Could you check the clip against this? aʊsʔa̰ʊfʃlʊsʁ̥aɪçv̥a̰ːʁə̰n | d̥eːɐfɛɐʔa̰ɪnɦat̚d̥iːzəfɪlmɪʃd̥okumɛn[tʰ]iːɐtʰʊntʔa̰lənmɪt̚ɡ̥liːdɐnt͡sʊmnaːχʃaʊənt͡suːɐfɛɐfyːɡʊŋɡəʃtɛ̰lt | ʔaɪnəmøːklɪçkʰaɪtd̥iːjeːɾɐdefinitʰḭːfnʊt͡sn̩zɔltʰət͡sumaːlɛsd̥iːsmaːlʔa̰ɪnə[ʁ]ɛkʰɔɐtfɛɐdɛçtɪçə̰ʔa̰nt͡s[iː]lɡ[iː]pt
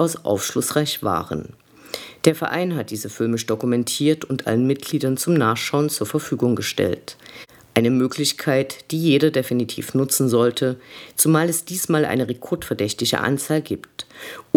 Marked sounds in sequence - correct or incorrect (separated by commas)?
correct, correct, incorrect, correct